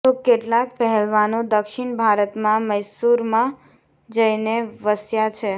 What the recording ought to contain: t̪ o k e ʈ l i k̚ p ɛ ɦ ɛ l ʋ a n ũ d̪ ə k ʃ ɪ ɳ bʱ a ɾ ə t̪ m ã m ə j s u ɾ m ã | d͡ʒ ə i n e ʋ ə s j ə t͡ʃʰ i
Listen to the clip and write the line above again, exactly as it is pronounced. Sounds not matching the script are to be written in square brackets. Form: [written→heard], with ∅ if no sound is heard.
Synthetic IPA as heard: t̪ o k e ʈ l [i→a] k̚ p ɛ ɦ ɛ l ʋ a n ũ d̪ ə k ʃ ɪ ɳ bʱ a ɾ ə t̪ m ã m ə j s u ɾ m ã | d͡ʒ ə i n e ʋ ə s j [ə→a] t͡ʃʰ [i→e]